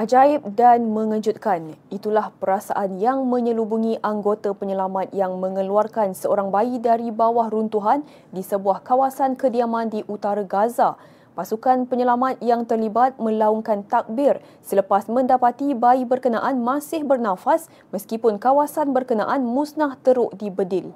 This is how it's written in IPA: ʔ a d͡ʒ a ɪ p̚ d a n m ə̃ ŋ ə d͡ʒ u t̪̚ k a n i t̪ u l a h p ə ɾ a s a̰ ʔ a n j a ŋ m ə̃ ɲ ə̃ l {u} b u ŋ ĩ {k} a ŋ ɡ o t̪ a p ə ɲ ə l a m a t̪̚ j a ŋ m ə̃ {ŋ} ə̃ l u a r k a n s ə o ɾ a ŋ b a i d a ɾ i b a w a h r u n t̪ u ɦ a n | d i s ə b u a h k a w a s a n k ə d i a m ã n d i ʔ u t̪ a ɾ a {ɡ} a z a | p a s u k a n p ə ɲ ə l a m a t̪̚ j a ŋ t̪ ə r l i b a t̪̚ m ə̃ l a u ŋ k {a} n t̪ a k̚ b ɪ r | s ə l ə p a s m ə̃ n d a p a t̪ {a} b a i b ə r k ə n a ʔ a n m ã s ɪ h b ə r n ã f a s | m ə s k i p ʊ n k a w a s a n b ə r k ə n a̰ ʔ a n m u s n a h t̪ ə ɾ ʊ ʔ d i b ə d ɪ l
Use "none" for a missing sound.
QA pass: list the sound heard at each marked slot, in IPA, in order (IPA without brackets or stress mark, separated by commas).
u, ʔ, ŋ, ɡ, a, i